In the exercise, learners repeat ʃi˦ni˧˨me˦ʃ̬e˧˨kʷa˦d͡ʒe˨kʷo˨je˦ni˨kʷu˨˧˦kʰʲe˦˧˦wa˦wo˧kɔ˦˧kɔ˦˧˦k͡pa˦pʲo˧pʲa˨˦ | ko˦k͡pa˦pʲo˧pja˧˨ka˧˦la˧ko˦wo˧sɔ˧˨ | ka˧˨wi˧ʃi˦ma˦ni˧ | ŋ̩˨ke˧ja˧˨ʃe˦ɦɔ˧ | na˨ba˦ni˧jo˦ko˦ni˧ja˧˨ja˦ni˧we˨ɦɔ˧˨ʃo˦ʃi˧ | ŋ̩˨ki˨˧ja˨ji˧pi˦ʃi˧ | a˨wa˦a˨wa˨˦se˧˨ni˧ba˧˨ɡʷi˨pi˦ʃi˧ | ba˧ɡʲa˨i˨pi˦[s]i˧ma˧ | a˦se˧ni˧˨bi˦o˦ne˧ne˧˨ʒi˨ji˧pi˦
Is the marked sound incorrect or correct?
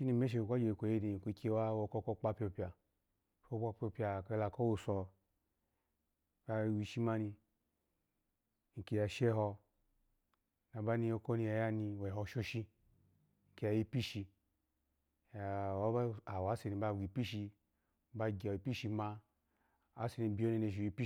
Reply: incorrect